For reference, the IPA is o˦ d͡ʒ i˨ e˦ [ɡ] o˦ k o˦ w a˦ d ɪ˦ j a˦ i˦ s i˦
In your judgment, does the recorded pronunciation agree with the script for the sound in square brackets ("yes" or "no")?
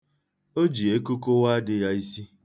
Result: no